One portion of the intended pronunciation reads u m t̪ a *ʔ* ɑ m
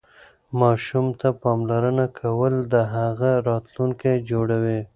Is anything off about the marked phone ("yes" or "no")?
yes